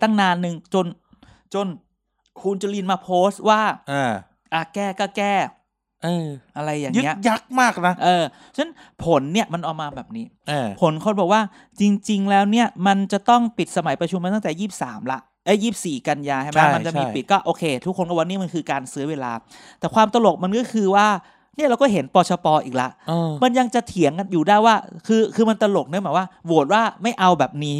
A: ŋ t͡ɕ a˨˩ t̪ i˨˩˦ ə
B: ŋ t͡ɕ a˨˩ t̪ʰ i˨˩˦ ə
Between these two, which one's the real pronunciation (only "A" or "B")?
B